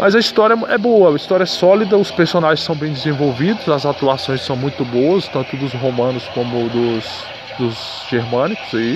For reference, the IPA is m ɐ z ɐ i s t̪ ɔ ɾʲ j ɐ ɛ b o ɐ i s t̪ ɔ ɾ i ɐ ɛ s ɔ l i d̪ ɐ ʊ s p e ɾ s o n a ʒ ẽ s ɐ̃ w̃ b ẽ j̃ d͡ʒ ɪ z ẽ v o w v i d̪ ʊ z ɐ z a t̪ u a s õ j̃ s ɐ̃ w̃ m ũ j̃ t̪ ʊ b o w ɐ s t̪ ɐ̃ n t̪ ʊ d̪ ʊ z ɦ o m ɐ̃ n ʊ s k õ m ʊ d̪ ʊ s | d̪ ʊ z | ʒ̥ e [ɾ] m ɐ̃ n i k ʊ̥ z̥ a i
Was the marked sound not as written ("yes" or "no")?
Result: no